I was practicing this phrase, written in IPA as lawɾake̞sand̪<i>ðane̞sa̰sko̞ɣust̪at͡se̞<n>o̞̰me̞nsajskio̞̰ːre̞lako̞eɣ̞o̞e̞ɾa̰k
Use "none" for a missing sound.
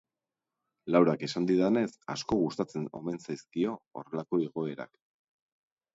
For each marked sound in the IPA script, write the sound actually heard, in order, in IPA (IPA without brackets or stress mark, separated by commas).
i, n